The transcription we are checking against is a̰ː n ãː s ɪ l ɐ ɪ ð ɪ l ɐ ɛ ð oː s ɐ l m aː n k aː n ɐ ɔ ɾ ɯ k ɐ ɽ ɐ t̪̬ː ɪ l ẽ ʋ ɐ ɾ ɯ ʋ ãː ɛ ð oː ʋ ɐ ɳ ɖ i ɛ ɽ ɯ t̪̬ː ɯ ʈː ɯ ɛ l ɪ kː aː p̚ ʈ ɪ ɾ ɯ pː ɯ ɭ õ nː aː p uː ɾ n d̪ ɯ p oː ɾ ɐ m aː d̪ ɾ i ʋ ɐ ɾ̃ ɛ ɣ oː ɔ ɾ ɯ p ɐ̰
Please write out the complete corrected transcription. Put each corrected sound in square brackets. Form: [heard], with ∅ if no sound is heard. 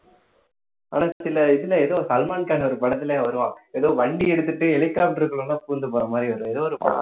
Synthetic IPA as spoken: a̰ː n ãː s ɪ l ɐ ɪ ð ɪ l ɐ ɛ ð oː s ɐ l m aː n k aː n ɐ ɔ ɾ ɯ [p] ɐ ɽ ɐ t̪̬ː ɪ l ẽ ʋ ɐ ɾ ɯ ʋ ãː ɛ ð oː ʋ ɐ ɳ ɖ i ɛ ɽ ɯ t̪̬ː ɯ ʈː ɯ ɛ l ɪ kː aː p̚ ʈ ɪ ɾ ɯ [kː] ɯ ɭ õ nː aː p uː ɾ n d̪ ɯ p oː ɾ ɐ m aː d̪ ɾ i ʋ ɐ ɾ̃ ɛ [ð] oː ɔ ɾ ɯ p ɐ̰